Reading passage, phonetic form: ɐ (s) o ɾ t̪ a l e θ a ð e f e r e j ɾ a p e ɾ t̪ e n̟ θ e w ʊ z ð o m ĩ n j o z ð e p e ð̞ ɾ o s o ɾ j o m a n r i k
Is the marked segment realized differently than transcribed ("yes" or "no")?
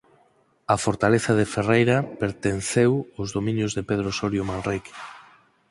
yes